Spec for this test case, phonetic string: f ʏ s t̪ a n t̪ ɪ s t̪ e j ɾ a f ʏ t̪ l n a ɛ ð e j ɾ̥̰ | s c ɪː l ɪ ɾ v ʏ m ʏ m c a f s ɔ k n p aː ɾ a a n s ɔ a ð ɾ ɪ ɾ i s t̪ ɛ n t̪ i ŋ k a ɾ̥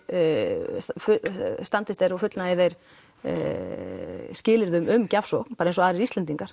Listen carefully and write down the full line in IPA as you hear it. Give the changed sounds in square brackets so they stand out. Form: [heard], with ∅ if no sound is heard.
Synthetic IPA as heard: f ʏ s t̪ a n t̪ ɪ s t̪ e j ɾ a f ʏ t̪ l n a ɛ ð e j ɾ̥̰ | s c ɪː l ɪ ɾ [ð] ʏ m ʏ m c a f s ɔ k n p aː ɾ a [e] n s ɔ a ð ɾ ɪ ɾ i s t̪ ɛ n t̪ i ŋ k a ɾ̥

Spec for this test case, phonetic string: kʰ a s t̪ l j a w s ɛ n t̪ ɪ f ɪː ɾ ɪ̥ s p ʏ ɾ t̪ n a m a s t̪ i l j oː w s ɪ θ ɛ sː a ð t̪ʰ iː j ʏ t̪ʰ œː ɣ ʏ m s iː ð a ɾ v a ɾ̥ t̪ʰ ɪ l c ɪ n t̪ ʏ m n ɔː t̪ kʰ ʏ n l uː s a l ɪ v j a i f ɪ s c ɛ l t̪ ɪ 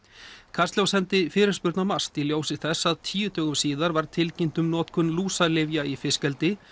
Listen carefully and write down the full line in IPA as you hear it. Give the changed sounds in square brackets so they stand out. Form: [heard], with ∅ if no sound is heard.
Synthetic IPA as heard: kʰ a s t̪ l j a w s ɛ n t̪ ɪ f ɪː ɾ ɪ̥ s p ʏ ɾ t̪ n a m a s t̪ i l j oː w s ɪ θ ɛ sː a ð t̪ʰ iː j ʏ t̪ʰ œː ɣ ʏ m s iː ð a ɾ v a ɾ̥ t̪ʰ ɪ l c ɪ n t̪ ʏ m n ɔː t̪ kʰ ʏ n l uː s a l ɪ v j a i f ɪ s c ɛ l t̪ ɪ

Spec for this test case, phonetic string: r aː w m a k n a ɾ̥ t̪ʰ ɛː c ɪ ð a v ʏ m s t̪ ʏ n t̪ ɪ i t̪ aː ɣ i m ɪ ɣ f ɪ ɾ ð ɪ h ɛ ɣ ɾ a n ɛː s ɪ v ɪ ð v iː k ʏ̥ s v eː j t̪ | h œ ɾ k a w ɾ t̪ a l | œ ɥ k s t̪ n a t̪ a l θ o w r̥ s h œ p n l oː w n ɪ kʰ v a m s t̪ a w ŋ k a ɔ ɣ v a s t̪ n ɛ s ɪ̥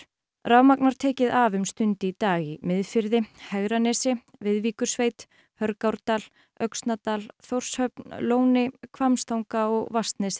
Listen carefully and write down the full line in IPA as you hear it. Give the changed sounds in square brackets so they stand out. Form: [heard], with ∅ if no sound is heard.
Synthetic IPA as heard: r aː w m a k n a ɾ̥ t̪ʰ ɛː c ɪ ð a v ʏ m s t̪ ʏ n t̪ ɪ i t̪ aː ɣ i m ɪ [ð] f ɪ ɾ ð ɪ h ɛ ɣ ɾ a n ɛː s ɪ v ɪ ð v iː k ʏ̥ s v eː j t̪ | h œ ɾ k a w ɾ t̪ a l | œ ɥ k s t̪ n a t̪ a l θ o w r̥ s h œ p n l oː w n ɪ kʰ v a m s t̪ a w ŋ k a ɔ ɣ v a s t̪ n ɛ s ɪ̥

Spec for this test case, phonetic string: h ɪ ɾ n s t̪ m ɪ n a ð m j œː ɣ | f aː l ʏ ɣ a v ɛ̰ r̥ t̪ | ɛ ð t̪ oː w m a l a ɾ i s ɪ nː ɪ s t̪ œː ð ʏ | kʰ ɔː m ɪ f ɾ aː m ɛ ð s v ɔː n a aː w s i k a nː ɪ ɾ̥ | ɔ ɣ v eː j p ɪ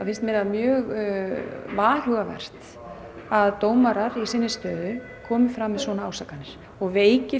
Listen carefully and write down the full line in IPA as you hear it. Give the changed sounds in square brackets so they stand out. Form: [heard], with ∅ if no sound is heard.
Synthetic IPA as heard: [f] ɪ [∅] n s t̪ m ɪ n a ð m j œː ɣ | [v] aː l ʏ ɣ a v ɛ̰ r̥ t̪ | [a] ð t̪ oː w m a [ɾ] a ɾ i s ɪ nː ɪ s t̪ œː ð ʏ | kʰ ɔː m ɪ f ɾ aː m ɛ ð s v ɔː n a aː w s [a] k a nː ɪ ɾ̥ | ɔ ɣ v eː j [c] ɪ

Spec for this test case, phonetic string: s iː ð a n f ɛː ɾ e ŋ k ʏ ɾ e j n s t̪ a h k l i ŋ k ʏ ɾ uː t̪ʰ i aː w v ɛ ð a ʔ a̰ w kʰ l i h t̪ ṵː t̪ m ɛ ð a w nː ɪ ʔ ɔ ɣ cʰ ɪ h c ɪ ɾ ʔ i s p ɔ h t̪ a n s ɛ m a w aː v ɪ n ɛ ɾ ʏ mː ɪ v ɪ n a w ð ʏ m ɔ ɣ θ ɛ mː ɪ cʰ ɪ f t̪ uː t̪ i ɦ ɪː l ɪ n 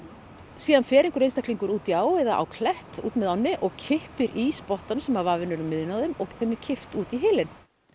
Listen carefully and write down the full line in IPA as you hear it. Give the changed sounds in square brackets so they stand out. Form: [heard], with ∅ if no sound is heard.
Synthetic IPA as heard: s iː ð a n f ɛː ɾ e ŋ k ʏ ɾ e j n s t̪ a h k l i ŋ k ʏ ɾ uː [t̪] i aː w v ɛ ð a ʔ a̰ w kʰ l [ɛ] h t̪ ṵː t̪ m ɛ ð a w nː ɪ ʔ ɔ ɣ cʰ ɪ h [p] ɪ ɾ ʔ i s p ɔ h t̪ a n s ɛ m a [v] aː v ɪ n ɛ ɾ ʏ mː ɪ [ð] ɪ n a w ð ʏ m ɔ ɣ θ ɛ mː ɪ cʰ ɪ f t̪ uː t̪ i ɦ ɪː l ɪ n

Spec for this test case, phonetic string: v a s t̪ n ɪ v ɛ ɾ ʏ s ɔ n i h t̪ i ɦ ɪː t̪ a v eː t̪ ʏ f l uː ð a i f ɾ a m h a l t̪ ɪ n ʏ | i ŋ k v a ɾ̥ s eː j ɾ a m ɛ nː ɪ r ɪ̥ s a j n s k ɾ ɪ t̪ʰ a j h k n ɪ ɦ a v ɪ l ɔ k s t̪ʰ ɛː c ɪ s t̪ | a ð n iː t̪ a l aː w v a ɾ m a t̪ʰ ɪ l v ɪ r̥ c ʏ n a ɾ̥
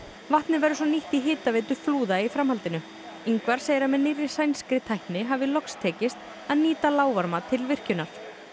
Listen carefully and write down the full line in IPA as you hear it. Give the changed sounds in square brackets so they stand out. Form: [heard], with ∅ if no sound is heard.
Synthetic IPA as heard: v a [h] t̪ n ɪ v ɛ ɾ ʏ s ɔ n i h t̪ i ɦ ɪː t̪ a v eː t̪ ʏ f l uː ð a i f ɾ a m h a l t̪ ɪ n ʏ | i ŋ k v a ɾ̥ s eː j ɾ a m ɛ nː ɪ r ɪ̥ s a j n s k ɾ ɪ t̪ʰ a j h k n ɪ ɦ a v ɪ l ɔ k s t̪ʰ ɛː c ɪ s t̪ | a ð n iː t̪ a l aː w v a ɾ m a t̪ʰ ɪ l v ɪ r̥ c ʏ n a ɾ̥

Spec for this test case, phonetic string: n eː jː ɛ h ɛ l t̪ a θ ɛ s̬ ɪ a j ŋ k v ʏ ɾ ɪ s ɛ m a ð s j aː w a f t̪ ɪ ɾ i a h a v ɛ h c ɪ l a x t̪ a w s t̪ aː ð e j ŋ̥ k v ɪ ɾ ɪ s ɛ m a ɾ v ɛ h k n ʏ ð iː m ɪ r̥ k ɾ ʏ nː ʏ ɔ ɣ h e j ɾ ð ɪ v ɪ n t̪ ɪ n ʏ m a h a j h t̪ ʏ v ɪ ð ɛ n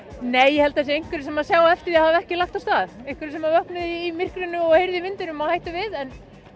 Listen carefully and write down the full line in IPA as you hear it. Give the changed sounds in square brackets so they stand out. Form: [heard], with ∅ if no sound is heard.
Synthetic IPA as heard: n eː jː ɛ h ɛ l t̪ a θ ɛ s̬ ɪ [e] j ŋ k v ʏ ɾ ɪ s ɛ m a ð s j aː w [ɛ] f t̪ ɪ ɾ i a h a v ɛ h c ɪ l a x t̪ a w s t̪ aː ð e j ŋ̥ k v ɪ ɾ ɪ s ɛ m a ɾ v [œ] h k n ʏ ð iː m ɪ r̥ k ɾ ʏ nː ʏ ɔ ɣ h e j ɾ ð ɪ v ɪ n t̪ ɪ n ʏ m a h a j h t̪ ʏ v ɪ ð ɛ n

